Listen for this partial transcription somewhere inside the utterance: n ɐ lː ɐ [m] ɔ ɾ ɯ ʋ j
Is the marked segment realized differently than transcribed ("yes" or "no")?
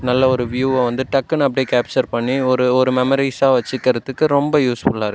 yes